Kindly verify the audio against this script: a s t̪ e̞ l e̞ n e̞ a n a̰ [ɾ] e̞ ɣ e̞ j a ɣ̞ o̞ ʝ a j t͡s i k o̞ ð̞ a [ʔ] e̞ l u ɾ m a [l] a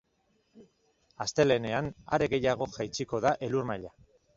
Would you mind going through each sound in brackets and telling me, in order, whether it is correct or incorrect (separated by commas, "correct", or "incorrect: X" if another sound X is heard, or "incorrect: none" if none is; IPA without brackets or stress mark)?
correct, correct, incorrect: ʎ